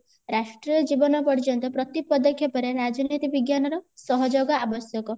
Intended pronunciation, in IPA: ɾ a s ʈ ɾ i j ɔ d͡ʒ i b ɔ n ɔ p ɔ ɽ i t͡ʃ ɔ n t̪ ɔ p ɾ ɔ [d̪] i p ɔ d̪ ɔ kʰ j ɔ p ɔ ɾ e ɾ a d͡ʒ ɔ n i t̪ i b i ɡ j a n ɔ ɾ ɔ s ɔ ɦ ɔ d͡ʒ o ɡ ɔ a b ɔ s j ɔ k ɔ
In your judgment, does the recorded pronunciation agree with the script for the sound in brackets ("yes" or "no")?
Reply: no